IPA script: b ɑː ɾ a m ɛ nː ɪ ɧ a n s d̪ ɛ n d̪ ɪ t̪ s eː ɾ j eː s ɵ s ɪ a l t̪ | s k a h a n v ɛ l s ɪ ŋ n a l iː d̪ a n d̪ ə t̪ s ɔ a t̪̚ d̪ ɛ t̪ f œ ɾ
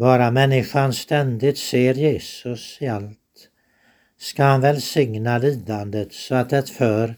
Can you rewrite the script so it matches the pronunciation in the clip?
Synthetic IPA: b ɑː ɾ a m ɛ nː ɪ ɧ a n s t̪ ɛ n d̪ ɪ t̪ s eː ɾ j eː s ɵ s ɪ a l t̪ | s k a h a n v ɛ l s ɪ ŋ n a l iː d̪ a n d̪ ə t̪ s ɔ a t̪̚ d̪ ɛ t̪ f œ ɾ